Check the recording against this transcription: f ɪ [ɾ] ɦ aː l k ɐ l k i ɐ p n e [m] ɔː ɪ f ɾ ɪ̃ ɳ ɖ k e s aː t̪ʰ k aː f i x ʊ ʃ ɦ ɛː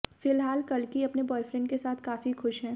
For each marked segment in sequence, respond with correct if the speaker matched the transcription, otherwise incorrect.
incorrect: l, incorrect: b

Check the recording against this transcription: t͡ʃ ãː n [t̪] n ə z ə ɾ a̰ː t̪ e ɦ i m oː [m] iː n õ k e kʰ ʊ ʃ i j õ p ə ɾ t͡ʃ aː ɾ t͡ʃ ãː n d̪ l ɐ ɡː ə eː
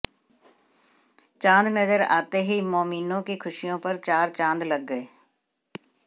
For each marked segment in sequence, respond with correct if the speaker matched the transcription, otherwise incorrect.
incorrect: d̪, correct

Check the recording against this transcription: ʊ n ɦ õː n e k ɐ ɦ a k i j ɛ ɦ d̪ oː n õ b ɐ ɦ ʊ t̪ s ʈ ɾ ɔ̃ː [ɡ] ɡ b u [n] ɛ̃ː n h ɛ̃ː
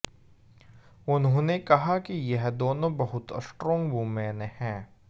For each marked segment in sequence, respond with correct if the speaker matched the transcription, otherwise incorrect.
incorrect: ŋ, incorrect: m

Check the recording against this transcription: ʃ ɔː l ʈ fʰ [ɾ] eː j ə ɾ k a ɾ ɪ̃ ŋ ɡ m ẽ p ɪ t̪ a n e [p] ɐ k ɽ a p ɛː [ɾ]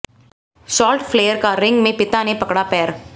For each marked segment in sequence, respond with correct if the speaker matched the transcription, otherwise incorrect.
incorrect: l, correct, correct

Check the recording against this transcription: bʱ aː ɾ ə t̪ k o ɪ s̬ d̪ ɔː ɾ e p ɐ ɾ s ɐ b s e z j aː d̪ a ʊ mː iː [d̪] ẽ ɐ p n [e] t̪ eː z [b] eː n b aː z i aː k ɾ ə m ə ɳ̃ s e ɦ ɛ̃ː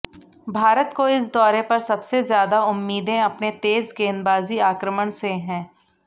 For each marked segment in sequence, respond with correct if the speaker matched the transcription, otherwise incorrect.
correct, correct, incorrect: ɡ

